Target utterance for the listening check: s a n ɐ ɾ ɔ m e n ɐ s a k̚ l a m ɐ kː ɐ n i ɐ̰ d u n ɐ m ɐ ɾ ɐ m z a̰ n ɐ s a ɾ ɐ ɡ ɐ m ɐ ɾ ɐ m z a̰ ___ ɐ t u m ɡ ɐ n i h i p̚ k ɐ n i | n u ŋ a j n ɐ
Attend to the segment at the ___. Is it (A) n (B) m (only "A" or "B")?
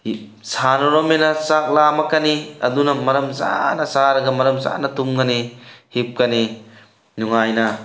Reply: A